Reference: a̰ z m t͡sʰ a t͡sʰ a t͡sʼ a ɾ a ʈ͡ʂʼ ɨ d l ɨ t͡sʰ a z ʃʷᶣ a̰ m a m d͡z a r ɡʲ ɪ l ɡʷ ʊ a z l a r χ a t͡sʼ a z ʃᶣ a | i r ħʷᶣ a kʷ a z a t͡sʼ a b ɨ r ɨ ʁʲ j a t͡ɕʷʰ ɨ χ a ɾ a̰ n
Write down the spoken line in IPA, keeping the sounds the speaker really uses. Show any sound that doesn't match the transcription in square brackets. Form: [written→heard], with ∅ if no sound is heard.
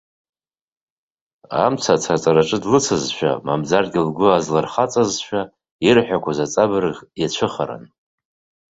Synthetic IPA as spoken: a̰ [z→∅] m t͡sʰ a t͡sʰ a t͡sʼ a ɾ a ʈ͡ʂʼ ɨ d l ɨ t͡sʰ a z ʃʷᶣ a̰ m a m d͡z a r ɡʲ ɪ l ɡʷ ʊ a z l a r χ a t͡sʼ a z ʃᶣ a | i r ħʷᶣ a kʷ a z a t͡sʼ a b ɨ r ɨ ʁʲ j a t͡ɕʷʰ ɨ χ a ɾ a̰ n